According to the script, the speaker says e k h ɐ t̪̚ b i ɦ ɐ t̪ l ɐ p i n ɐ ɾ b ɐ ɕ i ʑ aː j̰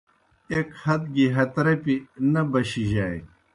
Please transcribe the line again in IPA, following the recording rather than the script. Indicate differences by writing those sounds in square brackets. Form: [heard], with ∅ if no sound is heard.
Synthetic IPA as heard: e k h ɐ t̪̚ [ɡ] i ɦ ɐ t̪ [ɾ] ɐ p i n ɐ [∅] b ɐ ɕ i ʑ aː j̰